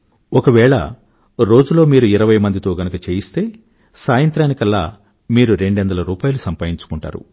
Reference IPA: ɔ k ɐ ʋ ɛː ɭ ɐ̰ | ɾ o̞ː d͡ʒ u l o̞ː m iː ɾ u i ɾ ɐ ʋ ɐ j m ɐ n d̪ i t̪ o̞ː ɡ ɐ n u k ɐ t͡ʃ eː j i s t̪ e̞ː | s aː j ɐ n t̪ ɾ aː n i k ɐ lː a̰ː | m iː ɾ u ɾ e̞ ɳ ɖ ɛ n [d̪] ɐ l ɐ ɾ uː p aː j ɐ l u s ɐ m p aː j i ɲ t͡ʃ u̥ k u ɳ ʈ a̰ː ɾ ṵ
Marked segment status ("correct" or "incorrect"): correct